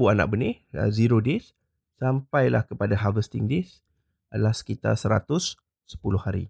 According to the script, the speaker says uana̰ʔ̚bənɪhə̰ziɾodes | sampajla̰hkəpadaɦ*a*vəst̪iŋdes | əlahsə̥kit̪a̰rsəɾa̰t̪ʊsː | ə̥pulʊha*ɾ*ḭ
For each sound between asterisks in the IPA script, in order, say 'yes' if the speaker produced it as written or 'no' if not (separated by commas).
yes, yes